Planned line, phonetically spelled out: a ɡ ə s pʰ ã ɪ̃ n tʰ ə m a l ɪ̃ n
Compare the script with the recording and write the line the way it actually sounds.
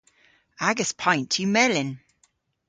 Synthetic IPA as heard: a ɡ ə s pʰ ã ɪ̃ n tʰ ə m ɛ l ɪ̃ n